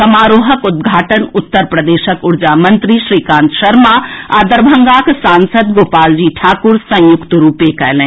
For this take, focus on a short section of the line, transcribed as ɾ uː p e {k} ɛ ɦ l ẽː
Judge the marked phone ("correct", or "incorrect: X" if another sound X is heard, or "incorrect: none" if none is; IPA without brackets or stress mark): correct